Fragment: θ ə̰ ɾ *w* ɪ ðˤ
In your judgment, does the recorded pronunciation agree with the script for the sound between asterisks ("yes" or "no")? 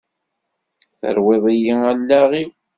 yes